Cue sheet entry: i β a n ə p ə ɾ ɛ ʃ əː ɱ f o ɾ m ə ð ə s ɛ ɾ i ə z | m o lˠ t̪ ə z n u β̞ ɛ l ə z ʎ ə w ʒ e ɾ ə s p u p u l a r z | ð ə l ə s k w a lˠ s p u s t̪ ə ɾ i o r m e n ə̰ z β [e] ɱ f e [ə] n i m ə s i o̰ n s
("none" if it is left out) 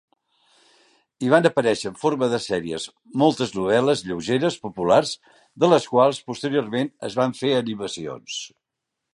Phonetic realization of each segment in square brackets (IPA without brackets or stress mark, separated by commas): a, ə